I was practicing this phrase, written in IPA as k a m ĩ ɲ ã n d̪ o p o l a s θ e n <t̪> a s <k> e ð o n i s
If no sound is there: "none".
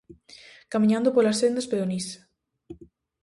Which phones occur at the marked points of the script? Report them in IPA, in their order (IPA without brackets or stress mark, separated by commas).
d̪, p